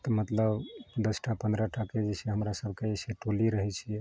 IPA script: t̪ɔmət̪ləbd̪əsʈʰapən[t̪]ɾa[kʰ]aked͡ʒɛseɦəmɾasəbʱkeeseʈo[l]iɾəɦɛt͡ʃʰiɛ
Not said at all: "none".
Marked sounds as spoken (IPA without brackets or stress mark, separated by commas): d̪, ʈʰ, l